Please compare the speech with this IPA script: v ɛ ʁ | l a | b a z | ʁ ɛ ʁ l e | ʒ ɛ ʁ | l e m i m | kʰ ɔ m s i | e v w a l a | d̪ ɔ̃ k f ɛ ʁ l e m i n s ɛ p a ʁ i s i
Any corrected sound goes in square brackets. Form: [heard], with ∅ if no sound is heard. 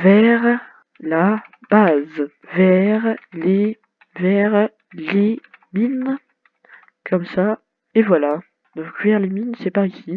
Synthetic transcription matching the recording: v ɛ ʁ | l a | b a z | [v] ɛ ʁ l e | [v] ɛ ʁ | l e m i [n] | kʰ ɔ m s [a] | e v w a l a | d̪ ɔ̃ k [v] ɛ ʁ l e m i n s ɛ p a ʁ i s i

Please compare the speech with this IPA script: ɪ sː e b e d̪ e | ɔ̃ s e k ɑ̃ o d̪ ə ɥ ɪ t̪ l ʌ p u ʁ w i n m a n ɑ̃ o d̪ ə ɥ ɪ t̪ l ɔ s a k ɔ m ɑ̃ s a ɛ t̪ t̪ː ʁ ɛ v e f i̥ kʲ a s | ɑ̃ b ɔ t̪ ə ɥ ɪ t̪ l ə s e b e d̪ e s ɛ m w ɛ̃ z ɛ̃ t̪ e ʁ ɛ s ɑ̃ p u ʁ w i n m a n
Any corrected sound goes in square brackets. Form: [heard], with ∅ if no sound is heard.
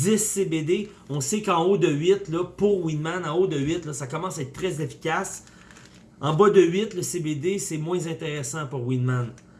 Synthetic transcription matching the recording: ɪ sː e b e d̪ e | ɔ̃ s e k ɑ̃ o d̪ ə ɥ ɪ t̪ l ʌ p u ʁ w i n m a n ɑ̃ o d̪ ə ɥ ɪ t̪ l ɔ s a k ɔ m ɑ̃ s a ɛ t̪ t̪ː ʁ ɛ [z] e f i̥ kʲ a s | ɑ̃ b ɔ [d̪] ə ɥ ɪ t̪ l ə s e b e d̪ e s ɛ m w ɛ̃ z ɛ̃ t̪ e ʁ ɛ s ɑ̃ p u ʁ w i n m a n

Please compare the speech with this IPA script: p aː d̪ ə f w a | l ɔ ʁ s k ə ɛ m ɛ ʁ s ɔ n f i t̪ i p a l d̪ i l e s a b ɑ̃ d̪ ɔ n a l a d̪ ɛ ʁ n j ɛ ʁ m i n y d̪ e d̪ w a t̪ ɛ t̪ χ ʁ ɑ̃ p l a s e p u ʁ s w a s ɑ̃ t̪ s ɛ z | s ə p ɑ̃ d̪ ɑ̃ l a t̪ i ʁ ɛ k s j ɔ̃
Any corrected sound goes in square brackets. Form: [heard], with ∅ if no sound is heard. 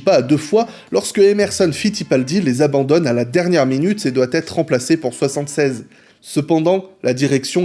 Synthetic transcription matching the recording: p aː d̪ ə f w a | l ɔ ʁ s k ə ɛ m ɛ ʁ s ɔ n f i t̪ i p a l d̪ i l e [z] a b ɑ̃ d̪ ɔ n a l a d̪ ɛ ʁ n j ɛ ʁ m i n y [t̪] e d̪ w a t̪ ɛ t̪ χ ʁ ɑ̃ p l a s e p u ʁ s w a s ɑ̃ t̪ s ɛ z | s ə p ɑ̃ d̪ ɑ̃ l a [d̪] i ʁ ɛ k s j ɔ̃

